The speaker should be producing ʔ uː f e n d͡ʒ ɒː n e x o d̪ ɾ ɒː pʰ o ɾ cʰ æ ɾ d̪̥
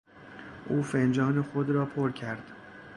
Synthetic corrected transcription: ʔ uː f e n d͡ʒ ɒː n e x o d̪ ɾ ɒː pʰ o ɾ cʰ æ ɾ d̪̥